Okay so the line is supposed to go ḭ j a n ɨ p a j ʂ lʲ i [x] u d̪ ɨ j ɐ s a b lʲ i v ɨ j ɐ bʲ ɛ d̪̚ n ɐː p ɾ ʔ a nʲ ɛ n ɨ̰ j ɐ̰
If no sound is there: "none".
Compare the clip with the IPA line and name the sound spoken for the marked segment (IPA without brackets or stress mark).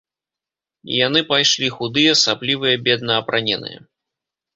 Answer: x